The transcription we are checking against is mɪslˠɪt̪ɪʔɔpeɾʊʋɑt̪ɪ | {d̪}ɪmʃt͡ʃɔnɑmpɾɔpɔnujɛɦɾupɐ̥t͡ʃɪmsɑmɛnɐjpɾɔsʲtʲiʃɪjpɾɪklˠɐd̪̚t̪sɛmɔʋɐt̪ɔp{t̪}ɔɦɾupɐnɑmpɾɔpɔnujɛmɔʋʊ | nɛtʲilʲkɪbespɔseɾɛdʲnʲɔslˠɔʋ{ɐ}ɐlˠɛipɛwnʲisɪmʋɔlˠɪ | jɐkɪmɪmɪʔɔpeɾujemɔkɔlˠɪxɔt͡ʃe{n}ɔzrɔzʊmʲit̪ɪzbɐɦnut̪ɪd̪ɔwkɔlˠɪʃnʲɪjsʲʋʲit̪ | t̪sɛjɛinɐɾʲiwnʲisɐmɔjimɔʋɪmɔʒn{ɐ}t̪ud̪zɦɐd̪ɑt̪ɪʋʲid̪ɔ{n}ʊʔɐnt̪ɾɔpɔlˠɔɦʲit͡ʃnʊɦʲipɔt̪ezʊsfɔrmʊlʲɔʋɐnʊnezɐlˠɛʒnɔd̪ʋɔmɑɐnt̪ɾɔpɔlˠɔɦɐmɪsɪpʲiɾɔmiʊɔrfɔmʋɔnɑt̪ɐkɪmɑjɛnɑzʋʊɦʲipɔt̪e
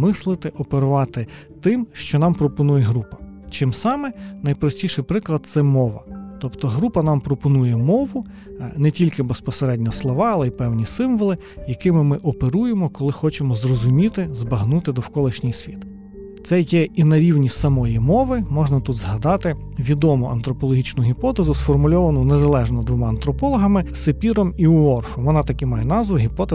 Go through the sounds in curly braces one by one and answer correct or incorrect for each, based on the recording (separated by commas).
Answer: incorrect, correct, incorrect, incorrect, correct, incorrect